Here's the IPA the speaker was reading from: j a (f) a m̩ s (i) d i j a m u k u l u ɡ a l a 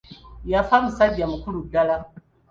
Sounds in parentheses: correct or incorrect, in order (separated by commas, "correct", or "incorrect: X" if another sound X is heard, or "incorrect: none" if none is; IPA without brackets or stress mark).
correct, incorrect: a